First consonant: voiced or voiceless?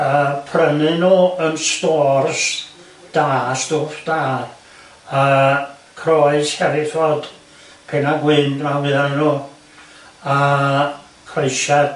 voiceless